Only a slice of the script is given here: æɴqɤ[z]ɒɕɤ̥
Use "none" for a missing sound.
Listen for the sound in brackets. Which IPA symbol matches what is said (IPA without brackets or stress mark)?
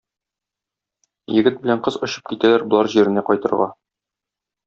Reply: z